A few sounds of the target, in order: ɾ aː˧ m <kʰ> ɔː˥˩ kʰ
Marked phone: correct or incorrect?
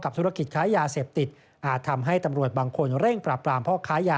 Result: incorrect: pʰ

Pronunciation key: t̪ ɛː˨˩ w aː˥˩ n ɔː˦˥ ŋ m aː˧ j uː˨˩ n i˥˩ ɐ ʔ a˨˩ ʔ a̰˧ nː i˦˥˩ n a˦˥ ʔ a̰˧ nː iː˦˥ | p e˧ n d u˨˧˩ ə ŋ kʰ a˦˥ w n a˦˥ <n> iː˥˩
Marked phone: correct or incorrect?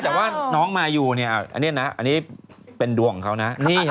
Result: correct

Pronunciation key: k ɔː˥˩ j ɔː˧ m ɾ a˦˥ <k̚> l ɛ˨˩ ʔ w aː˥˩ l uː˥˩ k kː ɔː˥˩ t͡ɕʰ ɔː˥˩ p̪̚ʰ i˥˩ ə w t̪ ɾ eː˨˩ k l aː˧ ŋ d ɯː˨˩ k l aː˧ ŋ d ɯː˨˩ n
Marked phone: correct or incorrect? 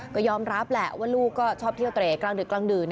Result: incorrect: p̚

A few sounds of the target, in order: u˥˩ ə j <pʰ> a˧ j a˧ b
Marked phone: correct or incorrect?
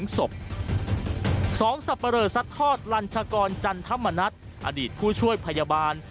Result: correct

